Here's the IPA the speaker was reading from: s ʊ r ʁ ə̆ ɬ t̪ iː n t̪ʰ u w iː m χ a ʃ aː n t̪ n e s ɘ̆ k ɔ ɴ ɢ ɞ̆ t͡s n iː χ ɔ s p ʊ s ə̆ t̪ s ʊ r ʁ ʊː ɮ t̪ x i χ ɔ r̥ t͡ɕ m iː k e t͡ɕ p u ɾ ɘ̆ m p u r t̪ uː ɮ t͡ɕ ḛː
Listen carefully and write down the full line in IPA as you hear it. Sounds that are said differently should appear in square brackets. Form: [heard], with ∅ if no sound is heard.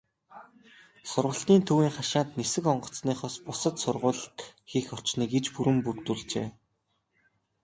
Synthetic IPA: s ʊ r ʁ ə̆ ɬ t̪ iː n t̪ʰ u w iː [ŋ] χ a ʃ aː n t̪ n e s ɘ̆ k ɔ ɴ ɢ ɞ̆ t͡s n iː χ ɔ s p ʊ s ə̆ t̪ s ʊ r ʁ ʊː ɮ t̪ x i [x] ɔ r̥ t͡ɕ [n] iː k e t͡ɕ p u ɾ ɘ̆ m p u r t̪ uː ɮ t͡ɕ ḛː